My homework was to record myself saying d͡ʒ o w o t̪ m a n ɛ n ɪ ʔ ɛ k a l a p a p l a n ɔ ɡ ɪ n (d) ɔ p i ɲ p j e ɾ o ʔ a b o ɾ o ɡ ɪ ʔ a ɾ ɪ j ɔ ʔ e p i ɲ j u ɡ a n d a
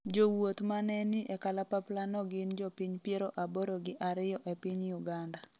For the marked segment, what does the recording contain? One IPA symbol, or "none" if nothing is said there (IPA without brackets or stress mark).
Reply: d͡ʒ